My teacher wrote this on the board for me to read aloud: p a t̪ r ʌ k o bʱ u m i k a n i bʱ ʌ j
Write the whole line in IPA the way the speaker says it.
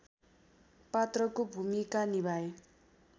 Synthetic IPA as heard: p a t̪ r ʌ k o bʱ u m i k a n i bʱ a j